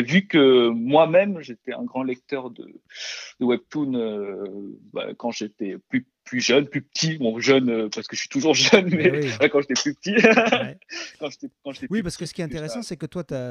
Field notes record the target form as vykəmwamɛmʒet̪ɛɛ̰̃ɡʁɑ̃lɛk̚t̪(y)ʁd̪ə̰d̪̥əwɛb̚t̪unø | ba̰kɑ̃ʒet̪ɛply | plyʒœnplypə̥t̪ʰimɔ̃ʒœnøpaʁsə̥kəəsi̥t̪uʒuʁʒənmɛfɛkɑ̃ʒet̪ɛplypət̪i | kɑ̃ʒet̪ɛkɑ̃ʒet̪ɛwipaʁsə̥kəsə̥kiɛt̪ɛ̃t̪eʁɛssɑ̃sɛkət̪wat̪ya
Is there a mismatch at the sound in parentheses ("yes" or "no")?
yes